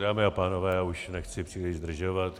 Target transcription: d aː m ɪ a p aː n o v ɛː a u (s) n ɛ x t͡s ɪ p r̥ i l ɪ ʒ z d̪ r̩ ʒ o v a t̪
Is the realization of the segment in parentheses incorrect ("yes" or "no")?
yes